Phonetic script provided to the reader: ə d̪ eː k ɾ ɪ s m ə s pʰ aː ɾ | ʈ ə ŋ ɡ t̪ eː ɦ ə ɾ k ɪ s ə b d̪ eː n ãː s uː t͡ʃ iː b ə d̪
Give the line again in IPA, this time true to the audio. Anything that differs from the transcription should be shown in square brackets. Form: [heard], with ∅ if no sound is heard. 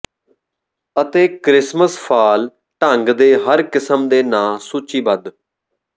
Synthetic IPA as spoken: ə [t̪] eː k ɾ ɪ s m ə s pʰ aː [l] | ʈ ə ŋ ɡ [d̪] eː ɦ ə ɾ k ɪ s ə [m] d̪ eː n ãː s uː t͡ʃ iː b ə d̪